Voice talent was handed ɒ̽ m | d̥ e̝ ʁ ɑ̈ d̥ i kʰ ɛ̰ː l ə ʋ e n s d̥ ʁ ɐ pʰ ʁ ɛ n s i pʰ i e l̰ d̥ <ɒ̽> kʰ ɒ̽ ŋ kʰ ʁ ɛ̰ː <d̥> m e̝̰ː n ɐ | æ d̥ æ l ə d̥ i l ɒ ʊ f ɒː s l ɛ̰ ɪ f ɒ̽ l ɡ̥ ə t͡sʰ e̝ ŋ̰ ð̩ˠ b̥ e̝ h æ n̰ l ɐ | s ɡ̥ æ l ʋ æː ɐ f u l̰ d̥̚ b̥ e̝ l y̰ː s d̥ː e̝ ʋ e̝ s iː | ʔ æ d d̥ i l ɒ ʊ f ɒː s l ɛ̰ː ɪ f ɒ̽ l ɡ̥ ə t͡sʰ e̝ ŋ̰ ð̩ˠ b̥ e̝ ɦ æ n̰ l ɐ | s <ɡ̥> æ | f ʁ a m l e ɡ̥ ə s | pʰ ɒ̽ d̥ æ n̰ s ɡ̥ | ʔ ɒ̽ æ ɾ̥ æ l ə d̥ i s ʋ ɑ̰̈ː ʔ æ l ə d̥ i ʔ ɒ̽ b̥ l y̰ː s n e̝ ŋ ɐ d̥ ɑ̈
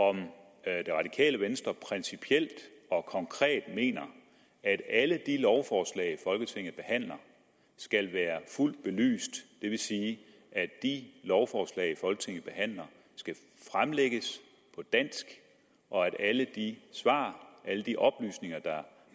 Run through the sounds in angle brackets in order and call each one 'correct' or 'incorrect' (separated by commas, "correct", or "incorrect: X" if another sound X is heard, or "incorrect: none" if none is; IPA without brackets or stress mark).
correct, correct, correct